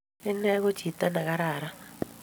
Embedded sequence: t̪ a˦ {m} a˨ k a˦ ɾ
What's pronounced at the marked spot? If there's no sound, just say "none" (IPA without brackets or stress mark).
n